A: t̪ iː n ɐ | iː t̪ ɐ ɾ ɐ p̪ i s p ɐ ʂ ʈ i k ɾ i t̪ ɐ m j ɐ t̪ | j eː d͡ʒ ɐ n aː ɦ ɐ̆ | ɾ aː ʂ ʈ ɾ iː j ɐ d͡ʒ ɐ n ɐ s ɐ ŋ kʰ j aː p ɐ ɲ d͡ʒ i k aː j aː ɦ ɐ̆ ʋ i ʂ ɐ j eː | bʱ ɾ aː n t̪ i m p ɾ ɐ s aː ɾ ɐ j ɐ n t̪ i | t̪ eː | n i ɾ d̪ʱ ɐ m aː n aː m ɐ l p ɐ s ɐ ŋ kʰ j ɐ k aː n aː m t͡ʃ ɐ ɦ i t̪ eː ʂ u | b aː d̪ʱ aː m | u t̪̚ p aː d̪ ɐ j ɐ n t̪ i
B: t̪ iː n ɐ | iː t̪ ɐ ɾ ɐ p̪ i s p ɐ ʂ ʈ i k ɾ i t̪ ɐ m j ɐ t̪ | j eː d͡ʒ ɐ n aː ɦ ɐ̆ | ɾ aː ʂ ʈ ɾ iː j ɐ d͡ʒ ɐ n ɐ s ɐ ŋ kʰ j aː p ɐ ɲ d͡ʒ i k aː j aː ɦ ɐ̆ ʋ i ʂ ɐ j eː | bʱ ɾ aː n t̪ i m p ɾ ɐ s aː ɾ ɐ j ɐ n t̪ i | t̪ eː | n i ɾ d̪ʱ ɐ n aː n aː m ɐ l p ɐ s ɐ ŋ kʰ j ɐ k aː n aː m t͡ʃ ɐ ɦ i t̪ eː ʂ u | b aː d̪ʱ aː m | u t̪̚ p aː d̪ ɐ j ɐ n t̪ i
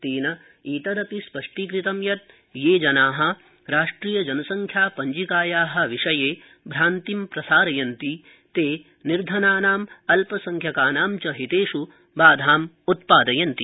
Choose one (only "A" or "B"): B